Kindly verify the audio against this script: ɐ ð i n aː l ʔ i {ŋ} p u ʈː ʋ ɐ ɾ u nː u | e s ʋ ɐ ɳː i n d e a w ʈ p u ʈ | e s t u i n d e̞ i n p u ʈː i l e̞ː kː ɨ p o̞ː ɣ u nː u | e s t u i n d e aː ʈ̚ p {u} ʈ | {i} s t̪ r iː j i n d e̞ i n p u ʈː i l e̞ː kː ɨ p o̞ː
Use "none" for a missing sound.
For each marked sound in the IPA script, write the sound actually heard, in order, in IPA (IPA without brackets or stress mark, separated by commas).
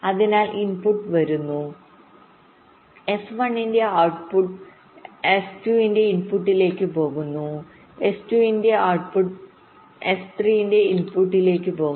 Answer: n, u, e